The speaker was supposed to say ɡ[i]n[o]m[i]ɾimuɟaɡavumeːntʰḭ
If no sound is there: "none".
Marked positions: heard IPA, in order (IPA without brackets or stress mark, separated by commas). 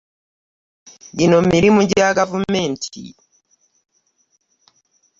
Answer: i, o, i